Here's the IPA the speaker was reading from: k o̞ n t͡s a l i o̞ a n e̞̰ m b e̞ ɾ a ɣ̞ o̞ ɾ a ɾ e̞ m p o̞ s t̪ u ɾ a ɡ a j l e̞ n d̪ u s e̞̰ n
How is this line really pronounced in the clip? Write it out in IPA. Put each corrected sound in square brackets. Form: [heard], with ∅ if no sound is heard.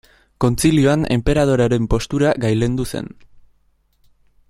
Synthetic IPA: k o̞ n t͡s [i] l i o̞ a n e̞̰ m [p] e̞ ɾ a [ð̞] o̞ ɾ a ɾ e̞ m p o̞ s t̪ u ɾ a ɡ a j l e̞ n d̪ u s e̞̰ n